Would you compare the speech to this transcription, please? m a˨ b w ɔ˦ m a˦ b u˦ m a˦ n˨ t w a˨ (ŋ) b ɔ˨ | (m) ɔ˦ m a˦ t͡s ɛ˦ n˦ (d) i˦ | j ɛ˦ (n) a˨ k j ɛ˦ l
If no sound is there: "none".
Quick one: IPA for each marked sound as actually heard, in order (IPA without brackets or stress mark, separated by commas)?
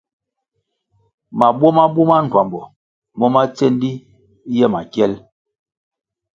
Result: m, m, d, m